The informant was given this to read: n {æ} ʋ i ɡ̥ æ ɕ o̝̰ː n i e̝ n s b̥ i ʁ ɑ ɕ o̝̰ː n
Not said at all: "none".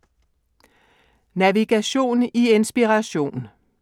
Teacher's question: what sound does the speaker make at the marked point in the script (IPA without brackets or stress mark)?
æ